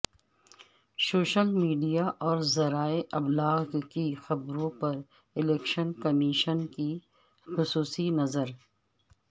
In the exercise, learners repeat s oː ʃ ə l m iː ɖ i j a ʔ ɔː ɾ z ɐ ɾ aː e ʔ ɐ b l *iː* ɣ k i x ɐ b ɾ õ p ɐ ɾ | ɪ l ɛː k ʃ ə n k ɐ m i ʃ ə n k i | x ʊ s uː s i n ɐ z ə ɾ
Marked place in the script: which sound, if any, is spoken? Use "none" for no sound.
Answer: aː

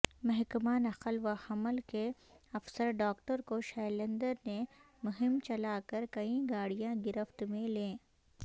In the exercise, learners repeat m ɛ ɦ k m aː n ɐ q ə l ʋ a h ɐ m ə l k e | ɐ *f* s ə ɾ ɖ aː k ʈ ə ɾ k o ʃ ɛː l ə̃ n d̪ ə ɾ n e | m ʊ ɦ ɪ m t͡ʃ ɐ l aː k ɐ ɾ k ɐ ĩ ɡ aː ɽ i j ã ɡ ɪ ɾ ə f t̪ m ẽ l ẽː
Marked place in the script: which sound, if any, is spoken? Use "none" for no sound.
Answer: f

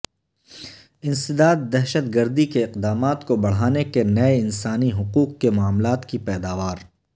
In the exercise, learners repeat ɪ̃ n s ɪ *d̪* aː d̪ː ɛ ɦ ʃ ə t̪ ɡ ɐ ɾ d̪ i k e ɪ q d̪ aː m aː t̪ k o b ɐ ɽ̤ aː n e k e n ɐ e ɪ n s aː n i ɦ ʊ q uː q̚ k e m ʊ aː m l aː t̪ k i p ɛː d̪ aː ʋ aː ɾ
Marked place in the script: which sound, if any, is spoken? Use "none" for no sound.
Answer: d̪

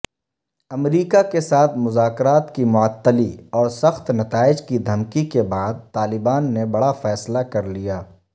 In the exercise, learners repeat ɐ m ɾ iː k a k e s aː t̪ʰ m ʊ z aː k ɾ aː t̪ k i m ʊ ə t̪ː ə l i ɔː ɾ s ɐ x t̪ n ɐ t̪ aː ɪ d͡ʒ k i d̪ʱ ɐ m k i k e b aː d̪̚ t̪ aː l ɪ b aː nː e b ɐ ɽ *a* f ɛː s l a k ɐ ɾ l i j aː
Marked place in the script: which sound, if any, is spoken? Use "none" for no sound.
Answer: a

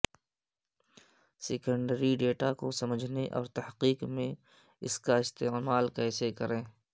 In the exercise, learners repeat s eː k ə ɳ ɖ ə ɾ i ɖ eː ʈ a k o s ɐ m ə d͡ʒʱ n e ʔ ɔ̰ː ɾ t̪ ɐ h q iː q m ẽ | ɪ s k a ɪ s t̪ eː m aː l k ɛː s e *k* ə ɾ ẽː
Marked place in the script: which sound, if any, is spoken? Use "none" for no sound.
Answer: k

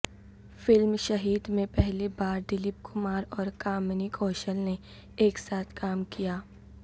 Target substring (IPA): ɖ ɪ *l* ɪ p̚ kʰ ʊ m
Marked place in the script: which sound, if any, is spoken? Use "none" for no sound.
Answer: l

